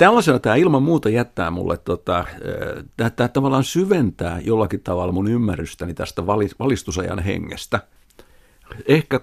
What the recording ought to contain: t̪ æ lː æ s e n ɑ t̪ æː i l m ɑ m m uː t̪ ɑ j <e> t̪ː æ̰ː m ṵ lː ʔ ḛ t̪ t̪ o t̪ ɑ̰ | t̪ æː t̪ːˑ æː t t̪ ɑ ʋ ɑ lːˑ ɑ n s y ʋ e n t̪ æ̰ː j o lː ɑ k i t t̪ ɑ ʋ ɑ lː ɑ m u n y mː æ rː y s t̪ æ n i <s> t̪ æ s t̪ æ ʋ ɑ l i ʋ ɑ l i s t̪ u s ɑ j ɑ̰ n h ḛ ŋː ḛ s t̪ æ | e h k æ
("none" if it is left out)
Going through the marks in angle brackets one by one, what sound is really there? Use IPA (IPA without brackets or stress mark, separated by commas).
æ, none